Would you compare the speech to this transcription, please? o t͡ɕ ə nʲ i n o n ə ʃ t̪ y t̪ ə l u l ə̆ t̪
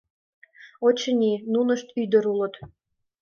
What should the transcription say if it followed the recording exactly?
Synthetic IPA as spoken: o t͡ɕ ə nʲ i n u n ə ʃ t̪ y d̪ ə ɾ u l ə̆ t̪